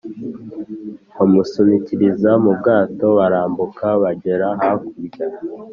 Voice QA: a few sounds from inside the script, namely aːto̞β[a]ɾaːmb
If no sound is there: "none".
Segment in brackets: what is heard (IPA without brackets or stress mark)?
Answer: a